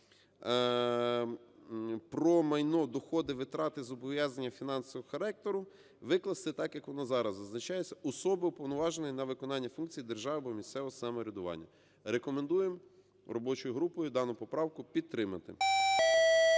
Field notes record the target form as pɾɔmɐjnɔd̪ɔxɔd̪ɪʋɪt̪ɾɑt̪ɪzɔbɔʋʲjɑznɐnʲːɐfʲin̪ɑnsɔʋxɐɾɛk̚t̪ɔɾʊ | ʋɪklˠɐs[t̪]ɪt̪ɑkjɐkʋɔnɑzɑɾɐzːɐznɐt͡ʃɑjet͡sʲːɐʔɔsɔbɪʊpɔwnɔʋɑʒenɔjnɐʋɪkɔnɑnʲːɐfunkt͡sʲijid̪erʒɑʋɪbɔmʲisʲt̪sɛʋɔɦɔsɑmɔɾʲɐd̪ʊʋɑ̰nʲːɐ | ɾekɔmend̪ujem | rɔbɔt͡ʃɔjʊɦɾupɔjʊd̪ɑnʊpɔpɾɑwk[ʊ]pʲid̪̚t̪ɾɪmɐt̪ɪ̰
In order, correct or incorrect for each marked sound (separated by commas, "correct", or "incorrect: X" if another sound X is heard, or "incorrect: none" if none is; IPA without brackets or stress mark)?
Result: correct, correct